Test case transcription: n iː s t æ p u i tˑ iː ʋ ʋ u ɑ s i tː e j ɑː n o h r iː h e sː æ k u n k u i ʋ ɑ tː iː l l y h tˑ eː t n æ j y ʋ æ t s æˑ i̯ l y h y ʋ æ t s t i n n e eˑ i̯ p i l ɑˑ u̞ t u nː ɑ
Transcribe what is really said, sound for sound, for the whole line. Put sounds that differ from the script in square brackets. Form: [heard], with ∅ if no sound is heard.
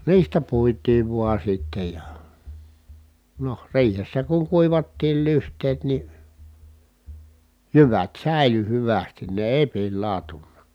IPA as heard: n iː s t æ p u i tˑ iː ʋ ʋ u ɑ s i tː e j [ɑ] n o h r iː h e sː æ k u [ŋ] k u i ʋ ɑ tː iː l l y h tˑ eː t n [i] j y ʋ æ t s æˑ i̯ l y h y ʋ æ [∅] s t i n n e eˑ i̯ p i [lː] ɑˑ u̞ t u nː ɑ